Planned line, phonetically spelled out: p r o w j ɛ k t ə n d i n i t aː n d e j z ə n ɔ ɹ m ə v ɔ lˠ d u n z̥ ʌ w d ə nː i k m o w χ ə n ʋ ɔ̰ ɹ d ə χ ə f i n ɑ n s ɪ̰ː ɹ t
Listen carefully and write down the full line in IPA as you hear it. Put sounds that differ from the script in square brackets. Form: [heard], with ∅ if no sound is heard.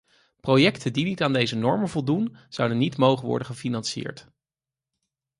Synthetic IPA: p r o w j ɛ k t ə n d i n i t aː n d e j z ə n ɔ ɹ m ə v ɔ lˠ d u n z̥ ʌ w d ə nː i [t] m o w χ ə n ʋ ɔ̰ ɹ d ə χ ə f i n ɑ n s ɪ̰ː ɹ t